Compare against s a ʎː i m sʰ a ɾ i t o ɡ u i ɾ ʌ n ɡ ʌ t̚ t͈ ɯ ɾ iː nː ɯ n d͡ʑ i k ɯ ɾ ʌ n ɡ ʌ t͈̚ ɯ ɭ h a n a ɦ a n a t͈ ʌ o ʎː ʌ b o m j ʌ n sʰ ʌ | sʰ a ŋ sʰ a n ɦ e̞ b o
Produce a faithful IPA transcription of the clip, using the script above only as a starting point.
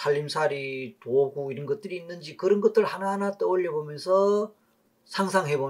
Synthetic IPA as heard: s a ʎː i m sʰ a ɾ i t o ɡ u i ɾ ʌ n ɡ ʌ t̚ t͈ ɯ ɾ iː nː ɯ n d͡ʑ i k ɯ ɾ ʌ n ɡ ʌ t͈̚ ɯ ɭ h a n a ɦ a n a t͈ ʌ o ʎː ʌ b o m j ʌ n sʰ ʌ | sʰ a ŋ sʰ a ŋ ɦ e̞ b o